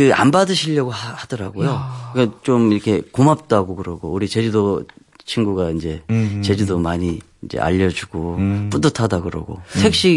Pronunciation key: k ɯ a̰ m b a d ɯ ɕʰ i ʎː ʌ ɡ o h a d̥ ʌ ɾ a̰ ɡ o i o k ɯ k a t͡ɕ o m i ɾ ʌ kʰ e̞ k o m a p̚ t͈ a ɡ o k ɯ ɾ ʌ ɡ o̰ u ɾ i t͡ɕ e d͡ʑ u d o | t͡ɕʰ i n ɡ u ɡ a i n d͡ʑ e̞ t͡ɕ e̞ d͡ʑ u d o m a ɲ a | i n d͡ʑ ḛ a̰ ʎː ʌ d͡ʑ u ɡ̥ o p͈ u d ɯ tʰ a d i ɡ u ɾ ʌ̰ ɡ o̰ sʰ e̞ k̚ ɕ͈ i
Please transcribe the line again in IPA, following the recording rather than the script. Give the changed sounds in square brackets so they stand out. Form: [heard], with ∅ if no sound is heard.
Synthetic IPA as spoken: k ɯ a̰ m b a d ɯ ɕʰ i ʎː ʌ ɡ o h a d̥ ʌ ɾ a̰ ɡ o [j] o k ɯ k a t͡ɕ o m i ɾ ʌ kʰ e̞ k o m a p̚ t͈ a ɡ o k ɯ ɾ ʌ ɡ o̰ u ɾ i t͡ɕ e d͡ʑ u d o | t͡ɕʰ i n ɡ u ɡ a i n d͡ʑ e̞ t͡ɕ e̞ d͡ʑ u d o m a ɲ [i] | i n d͡ʑ ḛ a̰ ʎː ʌ d͡ʑ u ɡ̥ o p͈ u d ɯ tʰ a d [a] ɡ [ɯ] ɾ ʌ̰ ɡ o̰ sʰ e̞ k̚ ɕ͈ i